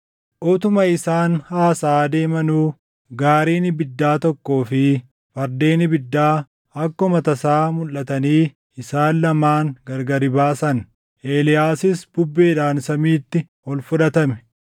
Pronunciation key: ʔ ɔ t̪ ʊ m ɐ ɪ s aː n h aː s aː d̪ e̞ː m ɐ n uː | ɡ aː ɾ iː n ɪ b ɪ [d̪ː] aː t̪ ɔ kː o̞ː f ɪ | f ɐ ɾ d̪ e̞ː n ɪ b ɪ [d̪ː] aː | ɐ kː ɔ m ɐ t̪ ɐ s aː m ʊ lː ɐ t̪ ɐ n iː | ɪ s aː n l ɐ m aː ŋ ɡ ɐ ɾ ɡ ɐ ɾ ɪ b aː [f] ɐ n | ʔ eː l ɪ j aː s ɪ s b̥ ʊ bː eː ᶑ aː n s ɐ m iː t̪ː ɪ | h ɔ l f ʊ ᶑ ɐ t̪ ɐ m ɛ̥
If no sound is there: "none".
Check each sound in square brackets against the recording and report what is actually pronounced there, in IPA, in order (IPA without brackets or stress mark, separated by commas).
d̪ː, d̪ː, s